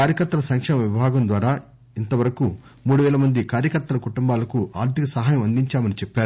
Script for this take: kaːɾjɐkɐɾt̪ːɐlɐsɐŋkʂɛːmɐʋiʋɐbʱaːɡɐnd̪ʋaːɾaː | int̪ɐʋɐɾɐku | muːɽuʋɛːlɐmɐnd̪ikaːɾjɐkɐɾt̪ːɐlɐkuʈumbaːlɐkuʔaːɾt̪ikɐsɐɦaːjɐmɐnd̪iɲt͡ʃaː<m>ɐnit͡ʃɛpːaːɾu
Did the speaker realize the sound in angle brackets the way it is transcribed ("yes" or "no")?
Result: yes